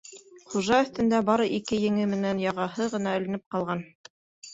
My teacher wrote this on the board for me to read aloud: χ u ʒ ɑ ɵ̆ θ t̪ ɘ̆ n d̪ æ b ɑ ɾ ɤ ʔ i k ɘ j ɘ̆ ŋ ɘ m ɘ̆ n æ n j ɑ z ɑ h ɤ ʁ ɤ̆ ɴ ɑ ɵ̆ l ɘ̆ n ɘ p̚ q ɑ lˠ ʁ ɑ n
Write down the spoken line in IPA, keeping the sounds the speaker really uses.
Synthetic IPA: χ u ʒ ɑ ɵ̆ θ t̪ ɘ̆ n d̪ æ b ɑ ɾ ɤ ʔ i k ɘ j ɘ̆ ŋ ɘ m ɘ̆ n æ n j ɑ ʁ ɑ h ɤ ʁ ɤ̆ n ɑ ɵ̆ l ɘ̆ n ɘ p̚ q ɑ lˠ ʁ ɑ n